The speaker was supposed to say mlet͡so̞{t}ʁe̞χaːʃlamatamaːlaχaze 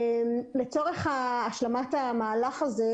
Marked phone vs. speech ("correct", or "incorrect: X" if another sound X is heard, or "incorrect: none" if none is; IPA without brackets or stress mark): incorrect: none